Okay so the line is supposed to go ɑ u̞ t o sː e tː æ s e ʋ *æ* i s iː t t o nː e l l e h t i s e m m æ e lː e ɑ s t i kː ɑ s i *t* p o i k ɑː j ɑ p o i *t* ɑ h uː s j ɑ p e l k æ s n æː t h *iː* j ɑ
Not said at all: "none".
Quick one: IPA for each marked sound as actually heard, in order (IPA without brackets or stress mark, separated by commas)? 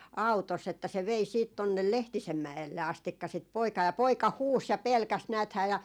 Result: e, t, k, æː